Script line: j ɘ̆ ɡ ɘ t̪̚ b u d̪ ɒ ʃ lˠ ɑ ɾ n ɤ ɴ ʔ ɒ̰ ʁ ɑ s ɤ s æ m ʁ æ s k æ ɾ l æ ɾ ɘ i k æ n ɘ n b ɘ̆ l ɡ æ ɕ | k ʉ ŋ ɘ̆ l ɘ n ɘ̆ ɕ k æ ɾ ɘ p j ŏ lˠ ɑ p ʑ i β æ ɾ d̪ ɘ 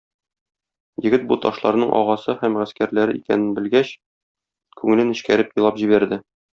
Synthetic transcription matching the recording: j ɘ̆ ɡ ɘ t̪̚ b u t̪ ɒ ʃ lˠ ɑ ɾ n ɤ ɴ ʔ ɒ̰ ʁ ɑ s ɤ h æ m ʁ æ s k æ ɾ l æ ɾ ɘ i k æ n ɘ n b ɘ̆ l ɡ æ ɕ | k ʉ ŋ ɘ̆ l ɘ n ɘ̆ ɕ k æ ɾ ɘ p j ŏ lˠ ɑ p ʑ i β æ ɾ d̪ ɘ

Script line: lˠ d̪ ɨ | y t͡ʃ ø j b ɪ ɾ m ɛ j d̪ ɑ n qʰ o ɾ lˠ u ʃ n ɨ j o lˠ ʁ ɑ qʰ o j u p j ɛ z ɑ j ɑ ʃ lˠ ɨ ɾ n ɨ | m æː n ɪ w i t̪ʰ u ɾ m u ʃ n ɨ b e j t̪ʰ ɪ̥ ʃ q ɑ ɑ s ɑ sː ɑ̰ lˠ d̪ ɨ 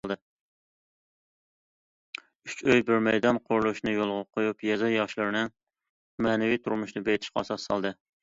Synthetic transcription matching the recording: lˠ d̪ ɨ | y t͡ʃ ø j b ɪ ɾ m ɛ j d̪ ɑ n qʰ o ɾ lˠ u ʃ n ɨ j o lˠ ʁ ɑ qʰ o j u p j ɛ z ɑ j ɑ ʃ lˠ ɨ ɾ n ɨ | m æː n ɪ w i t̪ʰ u ɾ m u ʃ n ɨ b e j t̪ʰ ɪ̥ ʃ q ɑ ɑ s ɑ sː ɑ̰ lˠ d̪ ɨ

